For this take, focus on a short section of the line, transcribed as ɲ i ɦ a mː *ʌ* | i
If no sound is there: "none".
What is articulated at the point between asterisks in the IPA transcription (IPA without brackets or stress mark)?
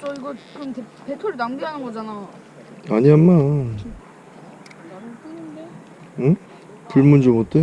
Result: a